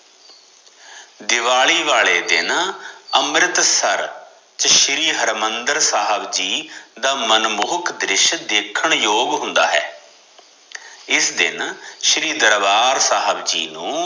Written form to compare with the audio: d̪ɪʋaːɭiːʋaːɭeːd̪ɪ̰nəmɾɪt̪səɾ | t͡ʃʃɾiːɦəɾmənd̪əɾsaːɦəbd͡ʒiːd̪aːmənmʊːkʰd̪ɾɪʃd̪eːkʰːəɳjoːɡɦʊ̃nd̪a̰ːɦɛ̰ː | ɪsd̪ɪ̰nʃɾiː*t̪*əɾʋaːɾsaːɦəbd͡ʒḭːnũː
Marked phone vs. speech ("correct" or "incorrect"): incorrect